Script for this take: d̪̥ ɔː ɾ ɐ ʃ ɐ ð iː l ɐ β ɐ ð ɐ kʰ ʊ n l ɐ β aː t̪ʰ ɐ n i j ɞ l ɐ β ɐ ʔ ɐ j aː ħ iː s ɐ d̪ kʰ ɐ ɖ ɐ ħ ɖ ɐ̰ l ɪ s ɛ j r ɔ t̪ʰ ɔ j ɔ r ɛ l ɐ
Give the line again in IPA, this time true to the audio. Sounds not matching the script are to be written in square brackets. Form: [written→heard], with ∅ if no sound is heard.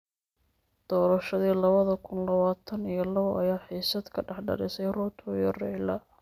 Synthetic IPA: d̪̥ ɔː ɾ ɐ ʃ ɐ ð iː l ɐ β ɐ ð ɐ kʰ ʊ n l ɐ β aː t̪ʰ ɐ n i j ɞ l ɐ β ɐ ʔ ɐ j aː ħ iː s ɐ d̪ kʰ ɐ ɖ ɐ ħ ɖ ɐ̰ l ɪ s ɛ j r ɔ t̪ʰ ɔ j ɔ r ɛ l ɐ